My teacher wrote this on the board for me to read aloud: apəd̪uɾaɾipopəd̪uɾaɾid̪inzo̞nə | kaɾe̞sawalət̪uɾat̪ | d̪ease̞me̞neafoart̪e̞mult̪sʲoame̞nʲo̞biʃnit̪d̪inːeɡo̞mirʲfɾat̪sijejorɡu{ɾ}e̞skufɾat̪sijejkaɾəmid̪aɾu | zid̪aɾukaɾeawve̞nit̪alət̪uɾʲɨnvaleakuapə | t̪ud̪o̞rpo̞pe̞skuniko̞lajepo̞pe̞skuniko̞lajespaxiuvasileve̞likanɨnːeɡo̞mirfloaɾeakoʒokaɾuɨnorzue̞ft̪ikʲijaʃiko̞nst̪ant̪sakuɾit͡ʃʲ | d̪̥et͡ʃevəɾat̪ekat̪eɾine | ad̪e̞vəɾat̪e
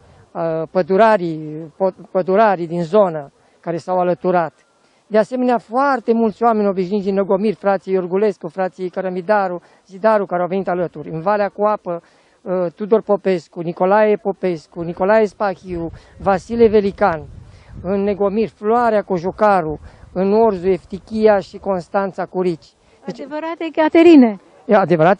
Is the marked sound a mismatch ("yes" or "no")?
yes